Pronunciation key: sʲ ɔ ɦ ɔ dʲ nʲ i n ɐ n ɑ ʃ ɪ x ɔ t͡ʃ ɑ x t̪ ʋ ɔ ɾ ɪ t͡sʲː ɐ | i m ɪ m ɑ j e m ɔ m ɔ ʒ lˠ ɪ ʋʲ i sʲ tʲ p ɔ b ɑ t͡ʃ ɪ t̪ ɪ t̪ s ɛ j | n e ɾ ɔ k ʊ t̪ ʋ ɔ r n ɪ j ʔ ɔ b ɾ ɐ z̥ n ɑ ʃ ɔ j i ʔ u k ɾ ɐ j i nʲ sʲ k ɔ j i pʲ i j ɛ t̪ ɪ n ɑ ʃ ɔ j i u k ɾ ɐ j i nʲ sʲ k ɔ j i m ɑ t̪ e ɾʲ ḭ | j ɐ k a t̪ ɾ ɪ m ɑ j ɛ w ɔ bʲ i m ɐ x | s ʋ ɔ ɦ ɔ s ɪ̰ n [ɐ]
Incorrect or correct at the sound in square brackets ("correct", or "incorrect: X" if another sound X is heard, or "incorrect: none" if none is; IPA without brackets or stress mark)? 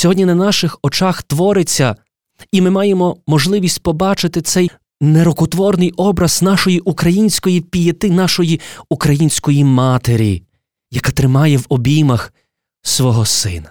correct